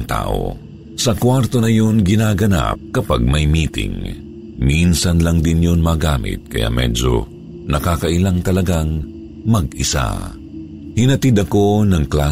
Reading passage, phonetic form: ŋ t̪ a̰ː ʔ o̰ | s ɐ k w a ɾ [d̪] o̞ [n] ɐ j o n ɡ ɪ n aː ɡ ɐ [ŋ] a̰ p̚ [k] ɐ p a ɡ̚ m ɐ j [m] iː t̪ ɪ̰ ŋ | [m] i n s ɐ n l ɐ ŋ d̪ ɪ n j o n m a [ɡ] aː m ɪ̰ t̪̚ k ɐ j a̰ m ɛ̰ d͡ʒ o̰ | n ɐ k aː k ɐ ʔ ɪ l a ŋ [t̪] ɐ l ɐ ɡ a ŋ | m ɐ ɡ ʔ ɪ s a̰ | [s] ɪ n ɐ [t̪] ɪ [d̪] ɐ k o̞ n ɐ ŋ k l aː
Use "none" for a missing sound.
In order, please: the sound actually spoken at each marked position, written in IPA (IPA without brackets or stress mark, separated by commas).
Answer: t̪, n, n, k, m, m, ɡ, t̪, h, t̪, d̪